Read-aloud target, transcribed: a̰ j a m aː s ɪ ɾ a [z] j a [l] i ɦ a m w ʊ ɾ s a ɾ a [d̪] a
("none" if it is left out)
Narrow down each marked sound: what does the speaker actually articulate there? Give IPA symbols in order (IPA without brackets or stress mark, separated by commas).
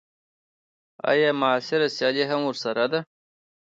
s, l, d̪